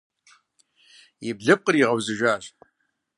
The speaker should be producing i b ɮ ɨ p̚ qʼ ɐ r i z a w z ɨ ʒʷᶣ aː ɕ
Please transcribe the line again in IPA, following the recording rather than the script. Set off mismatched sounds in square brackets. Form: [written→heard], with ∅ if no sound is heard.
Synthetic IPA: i b ɮ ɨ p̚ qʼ [ɐ→ə] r i [z→ʁ] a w z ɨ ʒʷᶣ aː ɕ